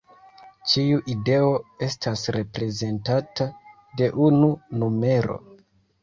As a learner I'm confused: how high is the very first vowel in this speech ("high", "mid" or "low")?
high